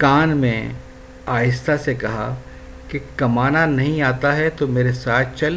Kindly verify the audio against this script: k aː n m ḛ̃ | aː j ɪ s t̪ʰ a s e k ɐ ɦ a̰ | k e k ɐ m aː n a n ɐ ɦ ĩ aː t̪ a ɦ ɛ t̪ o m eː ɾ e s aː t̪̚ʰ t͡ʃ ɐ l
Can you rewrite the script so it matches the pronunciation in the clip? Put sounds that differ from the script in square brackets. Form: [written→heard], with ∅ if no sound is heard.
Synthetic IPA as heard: k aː n m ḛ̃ | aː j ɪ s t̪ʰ a s e k ɐ ɦ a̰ | k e k ɐ m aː n a n ɐ ɦ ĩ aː t̪ a ɦ ɛ t̪ o m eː ɾ e s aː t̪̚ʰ t͡ʃ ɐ l